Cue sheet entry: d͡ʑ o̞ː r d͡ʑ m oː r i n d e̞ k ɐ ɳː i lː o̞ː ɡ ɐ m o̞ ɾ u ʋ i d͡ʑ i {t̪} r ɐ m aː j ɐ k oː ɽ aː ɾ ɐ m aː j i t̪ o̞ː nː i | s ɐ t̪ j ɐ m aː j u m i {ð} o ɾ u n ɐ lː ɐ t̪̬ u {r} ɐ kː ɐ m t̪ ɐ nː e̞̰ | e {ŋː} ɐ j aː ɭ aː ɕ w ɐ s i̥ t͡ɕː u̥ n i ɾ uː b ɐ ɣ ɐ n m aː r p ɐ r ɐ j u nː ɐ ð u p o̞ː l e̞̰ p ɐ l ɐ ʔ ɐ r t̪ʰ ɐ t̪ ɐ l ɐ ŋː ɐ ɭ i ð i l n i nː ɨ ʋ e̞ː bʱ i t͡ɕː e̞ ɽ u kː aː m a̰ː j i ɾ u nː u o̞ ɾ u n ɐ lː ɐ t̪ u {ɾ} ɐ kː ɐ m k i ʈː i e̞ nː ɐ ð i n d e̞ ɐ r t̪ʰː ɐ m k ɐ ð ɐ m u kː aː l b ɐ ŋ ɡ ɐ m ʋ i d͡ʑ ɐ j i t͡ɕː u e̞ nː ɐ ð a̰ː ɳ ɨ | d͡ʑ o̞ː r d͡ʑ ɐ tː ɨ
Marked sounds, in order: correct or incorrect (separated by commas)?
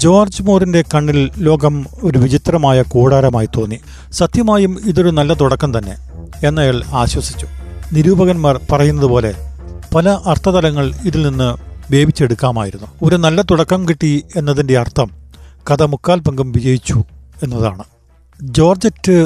correct, correct, incorrect, incorrect, incorrect